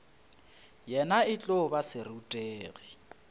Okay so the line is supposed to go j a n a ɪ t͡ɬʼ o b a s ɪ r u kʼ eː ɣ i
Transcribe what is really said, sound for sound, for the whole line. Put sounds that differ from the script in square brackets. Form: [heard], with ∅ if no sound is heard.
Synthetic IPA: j [ɛ] n a ɪ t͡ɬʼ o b a s ɪ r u [tʼ] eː ɣ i